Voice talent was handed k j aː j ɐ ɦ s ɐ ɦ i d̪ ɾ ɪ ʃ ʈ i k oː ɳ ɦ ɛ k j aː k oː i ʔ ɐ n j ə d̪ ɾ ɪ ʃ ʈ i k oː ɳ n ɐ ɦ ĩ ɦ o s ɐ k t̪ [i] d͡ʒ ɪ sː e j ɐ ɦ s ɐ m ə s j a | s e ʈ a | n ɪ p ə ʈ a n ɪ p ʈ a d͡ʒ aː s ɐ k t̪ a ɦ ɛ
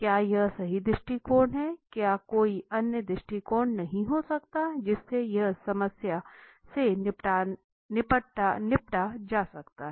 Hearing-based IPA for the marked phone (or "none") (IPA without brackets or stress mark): a